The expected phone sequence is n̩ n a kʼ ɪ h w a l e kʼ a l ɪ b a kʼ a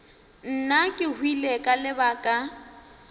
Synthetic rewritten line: n̩ n a kʼ ɪ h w i l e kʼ a l ɪ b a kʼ a